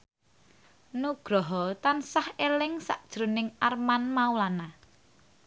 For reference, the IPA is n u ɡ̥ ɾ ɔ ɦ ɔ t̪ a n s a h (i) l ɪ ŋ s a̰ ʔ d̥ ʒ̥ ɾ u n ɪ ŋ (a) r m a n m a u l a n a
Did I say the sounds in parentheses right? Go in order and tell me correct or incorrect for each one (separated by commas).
incorrect, correct